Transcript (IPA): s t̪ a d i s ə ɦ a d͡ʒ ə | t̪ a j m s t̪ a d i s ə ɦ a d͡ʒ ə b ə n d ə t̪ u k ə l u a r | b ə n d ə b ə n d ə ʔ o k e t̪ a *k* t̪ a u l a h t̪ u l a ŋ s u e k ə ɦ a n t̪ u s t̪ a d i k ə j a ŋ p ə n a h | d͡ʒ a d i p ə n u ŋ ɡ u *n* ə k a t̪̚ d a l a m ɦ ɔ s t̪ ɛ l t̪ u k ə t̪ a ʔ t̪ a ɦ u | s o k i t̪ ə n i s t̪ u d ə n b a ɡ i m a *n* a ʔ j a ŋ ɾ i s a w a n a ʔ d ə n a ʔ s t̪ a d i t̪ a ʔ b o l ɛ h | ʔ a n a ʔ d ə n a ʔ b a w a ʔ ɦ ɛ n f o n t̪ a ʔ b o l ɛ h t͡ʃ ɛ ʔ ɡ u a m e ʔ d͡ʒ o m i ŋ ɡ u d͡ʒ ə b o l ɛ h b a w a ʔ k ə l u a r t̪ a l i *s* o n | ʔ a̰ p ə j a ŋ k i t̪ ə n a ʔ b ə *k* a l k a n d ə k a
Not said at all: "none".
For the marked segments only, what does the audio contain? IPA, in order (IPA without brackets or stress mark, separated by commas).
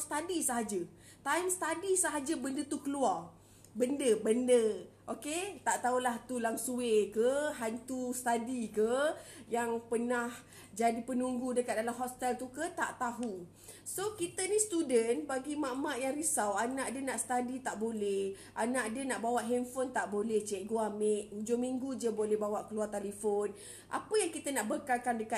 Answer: ʔ, d, m, f, k